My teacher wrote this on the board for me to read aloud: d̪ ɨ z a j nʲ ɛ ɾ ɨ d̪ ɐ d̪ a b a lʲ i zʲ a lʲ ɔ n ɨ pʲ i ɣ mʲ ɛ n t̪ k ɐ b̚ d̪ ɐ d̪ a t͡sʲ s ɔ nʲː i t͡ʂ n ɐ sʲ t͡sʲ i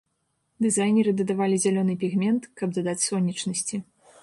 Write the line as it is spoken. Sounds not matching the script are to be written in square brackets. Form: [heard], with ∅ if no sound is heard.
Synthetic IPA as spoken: d̪ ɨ z a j nʲ ɛ ɾ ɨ d̪ ɐ d̪ a [v] a lʲ i zʲ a lʲ ɔ n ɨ pʲ i ɣ mʲ ɛ n t̪ k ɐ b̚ d̪ ɐ d̪ a t͡sʲ s ɔ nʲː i t͡ʂ n ɐ sʲ t͡sʲ i